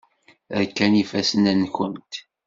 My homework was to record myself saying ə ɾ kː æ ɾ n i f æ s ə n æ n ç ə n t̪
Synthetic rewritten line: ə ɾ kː æ n i f æ s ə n æ n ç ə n t̪